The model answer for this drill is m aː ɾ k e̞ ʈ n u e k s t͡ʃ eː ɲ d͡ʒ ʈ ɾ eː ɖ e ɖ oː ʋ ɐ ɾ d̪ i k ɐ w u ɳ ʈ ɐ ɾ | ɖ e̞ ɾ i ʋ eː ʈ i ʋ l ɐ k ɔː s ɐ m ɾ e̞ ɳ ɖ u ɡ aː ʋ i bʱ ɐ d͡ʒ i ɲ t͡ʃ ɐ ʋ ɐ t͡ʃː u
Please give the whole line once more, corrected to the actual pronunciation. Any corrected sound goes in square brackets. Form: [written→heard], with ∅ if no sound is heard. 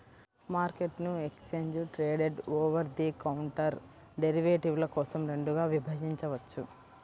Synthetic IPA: m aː ɾ k e̞ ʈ n u e k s t͡ʃ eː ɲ d͡ʒ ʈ ɾ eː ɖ e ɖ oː ʋ ɐ ɾ d̪ i k ɐ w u ɳ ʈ ɐ ɾ | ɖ e̞ ɾ i ʋ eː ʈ i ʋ l ɐ k ɔː s ɐ m ɾ e̞ ɳ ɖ u ɡ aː ʋ i bʱ ɐ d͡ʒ i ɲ t͡ʃ ɐ ʋ ɐ t͡ʃː u

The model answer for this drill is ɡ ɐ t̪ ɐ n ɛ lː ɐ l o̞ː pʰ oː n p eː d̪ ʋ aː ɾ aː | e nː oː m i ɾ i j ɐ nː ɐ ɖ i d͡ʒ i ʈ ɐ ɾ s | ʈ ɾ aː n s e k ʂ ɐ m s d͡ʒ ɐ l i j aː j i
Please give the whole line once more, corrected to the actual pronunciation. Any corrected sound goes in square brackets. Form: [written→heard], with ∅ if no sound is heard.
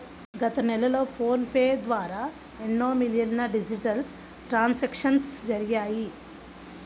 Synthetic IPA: ɡ ɐ t̪ ɐ n ɛ [lː→l] ɐ l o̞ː pʰ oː n p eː d̪ ʋ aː ɾ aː | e nː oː m i [ɾ→l] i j ɐ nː ɐ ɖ i d͡ʒ i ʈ ɐ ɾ s | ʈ ɾ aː n s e k ʂ ɐ [m→n] s d͡ʒ ɐ [l→ɾ] i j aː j i

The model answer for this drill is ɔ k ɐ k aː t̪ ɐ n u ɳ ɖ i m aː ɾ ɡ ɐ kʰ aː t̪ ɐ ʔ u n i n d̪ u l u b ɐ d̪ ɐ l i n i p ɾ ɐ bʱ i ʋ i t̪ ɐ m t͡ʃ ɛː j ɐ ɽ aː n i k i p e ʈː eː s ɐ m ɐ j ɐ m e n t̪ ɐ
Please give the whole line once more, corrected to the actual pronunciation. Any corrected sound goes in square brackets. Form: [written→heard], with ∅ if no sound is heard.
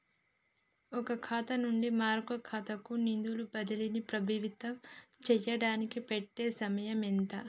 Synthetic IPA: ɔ k ɐ [k→kʰ] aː t̪ ɐ n u ɳ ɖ i m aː ɾ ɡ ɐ kʰ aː t̪ ɐ [ʔ→k] u n i n d̪ u l u b ɐ d̪ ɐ l i n i p ɾ ɐ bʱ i ʋ i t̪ ɐ m t͡ʃ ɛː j ɐ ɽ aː n i k i p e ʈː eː s ɐ m ɐ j ɐ m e n t̪ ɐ

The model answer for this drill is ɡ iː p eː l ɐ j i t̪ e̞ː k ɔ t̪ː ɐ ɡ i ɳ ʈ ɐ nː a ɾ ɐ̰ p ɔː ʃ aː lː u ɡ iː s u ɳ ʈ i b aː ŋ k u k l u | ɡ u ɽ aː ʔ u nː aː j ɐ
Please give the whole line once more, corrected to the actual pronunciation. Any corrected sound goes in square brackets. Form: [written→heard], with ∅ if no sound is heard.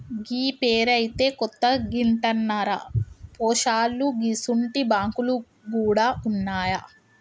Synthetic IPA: ɡ iː p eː [l→ɾ] ɐ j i t̪ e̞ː k ɔ t̪ː ɐ ɡ i ɳ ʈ ɐ nː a ɾ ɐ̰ p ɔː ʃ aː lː u ɡ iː s u ɳ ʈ i b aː ŋ k u [k→∅] l u | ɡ [u→uː] ɽ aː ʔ u nː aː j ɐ

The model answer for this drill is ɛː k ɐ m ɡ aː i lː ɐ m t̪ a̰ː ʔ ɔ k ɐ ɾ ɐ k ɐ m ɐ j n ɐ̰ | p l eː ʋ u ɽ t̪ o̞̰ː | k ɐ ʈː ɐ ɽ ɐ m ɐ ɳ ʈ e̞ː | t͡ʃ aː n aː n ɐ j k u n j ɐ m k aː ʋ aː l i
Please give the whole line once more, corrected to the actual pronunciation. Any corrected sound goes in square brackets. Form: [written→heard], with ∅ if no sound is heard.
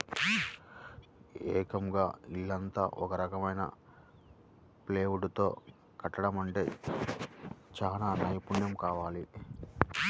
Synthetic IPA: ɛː k ɐ m ɡ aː i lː ɐ [m→n] t̪ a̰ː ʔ ɔ k ɐ ɾ ɐ k ɐ m ɐ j n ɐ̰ | p l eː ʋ u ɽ t̪ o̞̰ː | k ɐ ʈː ɐ ɽ ɐ m ɐ ɳ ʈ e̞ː | t͡ʃ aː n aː n ɐ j [k→p] u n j ɐ m k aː ʋ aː l i

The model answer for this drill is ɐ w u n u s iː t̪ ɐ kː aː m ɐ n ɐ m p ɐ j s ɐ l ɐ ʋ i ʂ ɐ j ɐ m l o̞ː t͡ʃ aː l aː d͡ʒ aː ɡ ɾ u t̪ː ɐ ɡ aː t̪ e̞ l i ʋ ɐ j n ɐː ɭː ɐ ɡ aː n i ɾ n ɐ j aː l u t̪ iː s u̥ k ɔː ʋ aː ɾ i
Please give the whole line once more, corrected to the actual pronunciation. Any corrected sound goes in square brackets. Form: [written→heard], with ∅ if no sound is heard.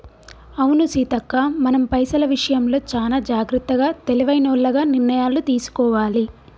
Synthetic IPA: ɐ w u n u s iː t̪ ɐ kː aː m ɐ n ɐ m p ɐ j s ɐ l ɐ ʋ i ʂ ɐ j ɐ m l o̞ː t͡ʃ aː l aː d͡ʒ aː ɡ ɾ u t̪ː ɐ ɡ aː t̪ e̞ l i ʋ ɐ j n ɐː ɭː ɐ ɡ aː n i ɾ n ɐ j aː l u t̪ iː s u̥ k ɔː ʋ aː [ɾ→l] i

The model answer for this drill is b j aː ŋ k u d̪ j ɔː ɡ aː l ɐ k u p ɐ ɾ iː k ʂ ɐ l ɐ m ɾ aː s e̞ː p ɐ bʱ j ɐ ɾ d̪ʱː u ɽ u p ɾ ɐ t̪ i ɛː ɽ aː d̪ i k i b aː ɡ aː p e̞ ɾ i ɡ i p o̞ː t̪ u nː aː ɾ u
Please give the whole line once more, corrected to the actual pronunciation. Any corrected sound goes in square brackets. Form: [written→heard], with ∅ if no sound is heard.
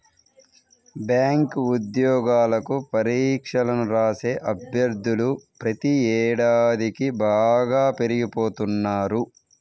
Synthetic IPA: b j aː ŋ k u d̪ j ɔː ɡ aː l ɐ k u p ɐ ɾ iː k ʂ ɐ l ɐ m ɾ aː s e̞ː [p→ʔ] ɐ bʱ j ɐ ɾ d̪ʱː u [ɽ→l] u p ɾ ɐ t̪ i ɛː ɽ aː d̪ i k i b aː ɡ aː p e̞ ɾ i ɡ i p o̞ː t̪ u nː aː ɾ u

